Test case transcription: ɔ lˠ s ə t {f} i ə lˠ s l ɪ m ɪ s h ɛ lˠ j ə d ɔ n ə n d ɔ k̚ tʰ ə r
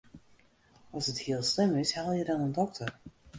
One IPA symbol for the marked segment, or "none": h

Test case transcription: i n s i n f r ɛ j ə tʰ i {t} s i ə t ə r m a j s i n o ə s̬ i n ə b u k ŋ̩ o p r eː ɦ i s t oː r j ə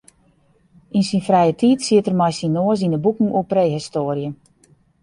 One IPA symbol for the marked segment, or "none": t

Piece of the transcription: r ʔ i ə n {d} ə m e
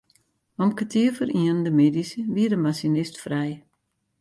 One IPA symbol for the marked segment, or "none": d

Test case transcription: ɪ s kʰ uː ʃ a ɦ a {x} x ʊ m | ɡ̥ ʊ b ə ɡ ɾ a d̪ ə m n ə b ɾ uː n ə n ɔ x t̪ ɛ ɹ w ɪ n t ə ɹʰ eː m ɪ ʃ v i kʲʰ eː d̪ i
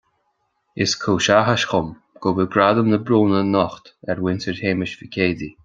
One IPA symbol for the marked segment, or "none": ʃ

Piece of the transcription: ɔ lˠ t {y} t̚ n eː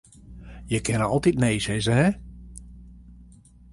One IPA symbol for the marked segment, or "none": i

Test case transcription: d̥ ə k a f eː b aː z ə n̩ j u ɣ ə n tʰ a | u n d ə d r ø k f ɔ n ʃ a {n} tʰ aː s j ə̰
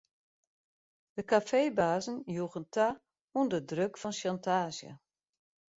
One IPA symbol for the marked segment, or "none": n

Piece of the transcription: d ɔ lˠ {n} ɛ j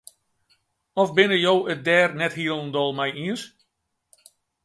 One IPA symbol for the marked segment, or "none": m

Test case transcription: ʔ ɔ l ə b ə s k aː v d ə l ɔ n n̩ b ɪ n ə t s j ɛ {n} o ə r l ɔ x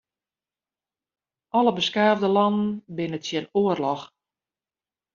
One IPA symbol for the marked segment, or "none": n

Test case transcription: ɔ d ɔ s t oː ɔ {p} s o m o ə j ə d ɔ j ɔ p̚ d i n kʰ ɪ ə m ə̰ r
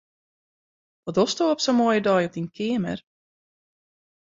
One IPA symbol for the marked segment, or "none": p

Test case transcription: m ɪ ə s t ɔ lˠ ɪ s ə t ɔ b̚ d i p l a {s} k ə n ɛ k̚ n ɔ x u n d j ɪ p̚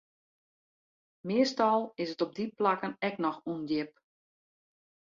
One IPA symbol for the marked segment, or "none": none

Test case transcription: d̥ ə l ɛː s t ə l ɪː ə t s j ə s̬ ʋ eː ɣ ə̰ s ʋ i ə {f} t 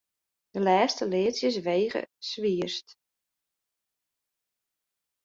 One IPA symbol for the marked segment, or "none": s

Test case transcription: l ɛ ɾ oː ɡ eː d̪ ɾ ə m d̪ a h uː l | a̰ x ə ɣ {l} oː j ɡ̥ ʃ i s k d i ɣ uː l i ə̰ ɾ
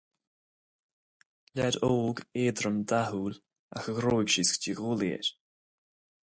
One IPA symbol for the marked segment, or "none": ɾ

